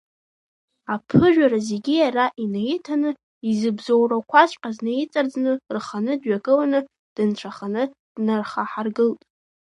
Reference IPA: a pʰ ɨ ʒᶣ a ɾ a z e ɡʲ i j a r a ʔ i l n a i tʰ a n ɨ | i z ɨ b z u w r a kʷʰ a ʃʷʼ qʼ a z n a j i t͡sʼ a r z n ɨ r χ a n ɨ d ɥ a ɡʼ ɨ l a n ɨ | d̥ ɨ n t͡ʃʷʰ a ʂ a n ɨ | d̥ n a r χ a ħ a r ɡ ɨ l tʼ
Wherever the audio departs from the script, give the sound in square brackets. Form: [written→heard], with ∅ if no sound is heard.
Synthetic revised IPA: a pʰ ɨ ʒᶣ a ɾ a z e ɡʲ i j a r a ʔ i [l→∅] n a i tʰ a n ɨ | i z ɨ b z [u→o] w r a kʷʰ a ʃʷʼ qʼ a z n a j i t͡sʼ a r [z→d͡z] n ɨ r χ a n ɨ d ɥ a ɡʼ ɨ l a n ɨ | d̥ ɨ n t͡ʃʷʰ a [ʂ→χ] a n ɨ | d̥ n a r χ a ħ a r ɡ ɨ l tʼ